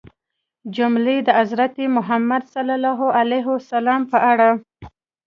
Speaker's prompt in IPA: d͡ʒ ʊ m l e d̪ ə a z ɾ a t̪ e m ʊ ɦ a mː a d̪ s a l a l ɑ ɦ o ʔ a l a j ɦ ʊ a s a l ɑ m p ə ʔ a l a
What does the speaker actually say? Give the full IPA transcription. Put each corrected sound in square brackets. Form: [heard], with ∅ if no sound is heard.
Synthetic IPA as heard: d͡ʒ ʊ m l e d̪ ə a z ɾ a t̪ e m ʊ ɦ a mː a d̪ s a l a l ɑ ɦ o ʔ a l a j ɦ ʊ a s a l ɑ m p ə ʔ a [ɽ] a